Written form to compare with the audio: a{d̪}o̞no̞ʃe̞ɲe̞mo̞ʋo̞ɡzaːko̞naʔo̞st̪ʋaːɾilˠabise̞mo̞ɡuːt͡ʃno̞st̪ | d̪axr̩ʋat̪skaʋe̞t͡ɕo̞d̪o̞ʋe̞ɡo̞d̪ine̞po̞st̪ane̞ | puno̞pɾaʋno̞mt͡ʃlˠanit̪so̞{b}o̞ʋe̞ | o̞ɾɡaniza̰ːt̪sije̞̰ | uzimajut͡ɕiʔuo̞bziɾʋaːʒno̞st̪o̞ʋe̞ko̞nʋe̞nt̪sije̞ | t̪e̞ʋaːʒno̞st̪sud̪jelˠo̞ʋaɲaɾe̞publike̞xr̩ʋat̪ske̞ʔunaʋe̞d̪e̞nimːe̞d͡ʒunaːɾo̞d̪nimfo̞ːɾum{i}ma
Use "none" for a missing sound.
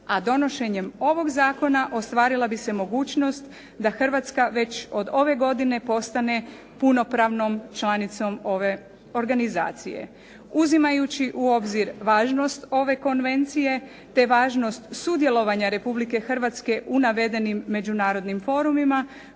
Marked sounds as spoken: d̪, m, i

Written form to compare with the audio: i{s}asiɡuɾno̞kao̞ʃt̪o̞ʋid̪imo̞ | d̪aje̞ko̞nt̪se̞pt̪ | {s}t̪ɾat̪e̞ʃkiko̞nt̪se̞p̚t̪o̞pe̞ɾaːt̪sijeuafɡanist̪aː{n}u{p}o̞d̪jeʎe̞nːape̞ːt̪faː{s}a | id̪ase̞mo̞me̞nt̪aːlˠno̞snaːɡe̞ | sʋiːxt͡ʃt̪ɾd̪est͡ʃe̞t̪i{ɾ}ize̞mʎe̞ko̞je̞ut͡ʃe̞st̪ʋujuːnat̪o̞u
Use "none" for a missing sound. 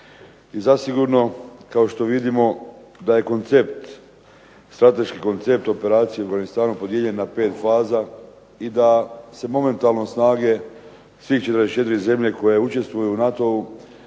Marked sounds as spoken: z, s, n, p, z, ɾ

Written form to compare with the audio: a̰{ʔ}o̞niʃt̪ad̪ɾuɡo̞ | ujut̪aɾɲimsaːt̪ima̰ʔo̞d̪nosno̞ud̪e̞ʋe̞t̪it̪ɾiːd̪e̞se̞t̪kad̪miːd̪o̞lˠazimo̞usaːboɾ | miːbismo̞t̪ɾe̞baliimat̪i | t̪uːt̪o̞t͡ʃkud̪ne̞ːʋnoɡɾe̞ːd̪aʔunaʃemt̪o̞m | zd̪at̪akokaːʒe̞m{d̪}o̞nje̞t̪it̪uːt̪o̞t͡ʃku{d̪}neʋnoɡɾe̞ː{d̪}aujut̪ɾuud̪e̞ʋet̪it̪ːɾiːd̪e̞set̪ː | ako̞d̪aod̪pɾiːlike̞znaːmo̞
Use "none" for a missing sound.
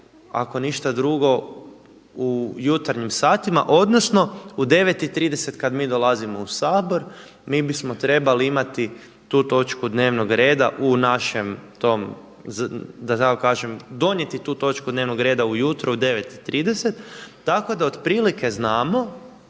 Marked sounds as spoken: k, d̪, d̪, d̪

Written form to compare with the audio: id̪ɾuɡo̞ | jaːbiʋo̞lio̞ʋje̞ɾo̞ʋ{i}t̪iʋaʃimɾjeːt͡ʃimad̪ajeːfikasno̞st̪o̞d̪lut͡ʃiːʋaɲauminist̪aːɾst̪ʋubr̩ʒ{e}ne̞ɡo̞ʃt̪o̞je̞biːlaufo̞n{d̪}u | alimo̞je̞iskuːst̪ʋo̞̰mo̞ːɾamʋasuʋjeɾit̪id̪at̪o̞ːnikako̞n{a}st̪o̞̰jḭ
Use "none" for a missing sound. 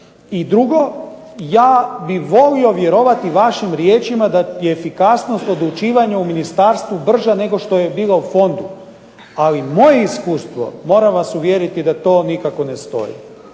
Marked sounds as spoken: a, a, d̪, e

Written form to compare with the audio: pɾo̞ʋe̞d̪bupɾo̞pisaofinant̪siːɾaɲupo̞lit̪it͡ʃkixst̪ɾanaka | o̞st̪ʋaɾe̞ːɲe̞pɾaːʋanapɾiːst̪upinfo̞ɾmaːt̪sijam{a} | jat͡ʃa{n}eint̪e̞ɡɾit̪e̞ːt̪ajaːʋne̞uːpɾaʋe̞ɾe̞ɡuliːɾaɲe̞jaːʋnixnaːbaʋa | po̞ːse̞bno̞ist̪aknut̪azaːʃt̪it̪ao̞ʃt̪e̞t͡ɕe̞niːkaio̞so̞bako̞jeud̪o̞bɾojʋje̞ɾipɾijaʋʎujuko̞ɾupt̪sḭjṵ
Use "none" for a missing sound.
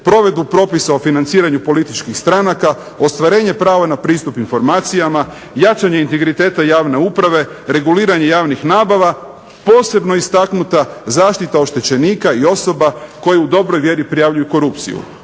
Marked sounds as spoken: a, ɲ

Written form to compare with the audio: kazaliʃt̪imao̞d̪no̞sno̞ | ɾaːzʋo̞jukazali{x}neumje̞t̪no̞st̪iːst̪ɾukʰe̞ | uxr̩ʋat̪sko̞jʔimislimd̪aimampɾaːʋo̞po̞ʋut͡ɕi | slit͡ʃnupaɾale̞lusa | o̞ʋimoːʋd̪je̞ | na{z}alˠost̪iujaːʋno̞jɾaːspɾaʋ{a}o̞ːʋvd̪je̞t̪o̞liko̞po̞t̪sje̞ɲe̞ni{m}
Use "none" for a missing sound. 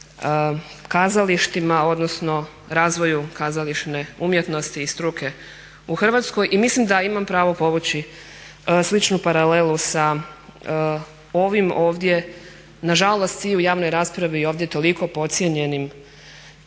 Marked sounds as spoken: ʃ, ʒ, i, m

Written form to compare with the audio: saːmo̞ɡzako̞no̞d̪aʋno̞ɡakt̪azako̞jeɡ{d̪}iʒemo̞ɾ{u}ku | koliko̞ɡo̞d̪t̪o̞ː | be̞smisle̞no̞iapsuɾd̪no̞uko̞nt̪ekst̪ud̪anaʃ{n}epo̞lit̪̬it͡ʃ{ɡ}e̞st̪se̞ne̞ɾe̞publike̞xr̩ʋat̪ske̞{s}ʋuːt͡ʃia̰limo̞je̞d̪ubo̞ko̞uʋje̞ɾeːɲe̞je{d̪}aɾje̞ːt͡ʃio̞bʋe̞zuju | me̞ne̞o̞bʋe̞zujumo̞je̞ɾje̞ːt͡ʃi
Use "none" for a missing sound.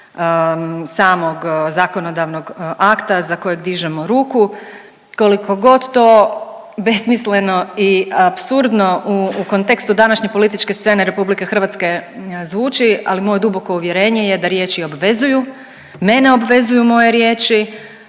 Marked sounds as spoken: d̪, uː, ɲ, k, z, d̪

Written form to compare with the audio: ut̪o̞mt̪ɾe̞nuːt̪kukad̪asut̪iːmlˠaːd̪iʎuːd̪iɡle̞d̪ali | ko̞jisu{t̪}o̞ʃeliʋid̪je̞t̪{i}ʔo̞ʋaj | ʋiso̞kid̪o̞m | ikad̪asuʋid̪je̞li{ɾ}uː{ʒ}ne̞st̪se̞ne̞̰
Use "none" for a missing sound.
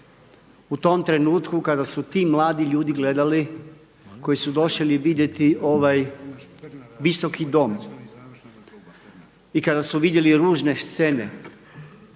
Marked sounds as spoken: d̪, i, ɾ, ʒ

